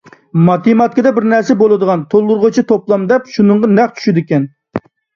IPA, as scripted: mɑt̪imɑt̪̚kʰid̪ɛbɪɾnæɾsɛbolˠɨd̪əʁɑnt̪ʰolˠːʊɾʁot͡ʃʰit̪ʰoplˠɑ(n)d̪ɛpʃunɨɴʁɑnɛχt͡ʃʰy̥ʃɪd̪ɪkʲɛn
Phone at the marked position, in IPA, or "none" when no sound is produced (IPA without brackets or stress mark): m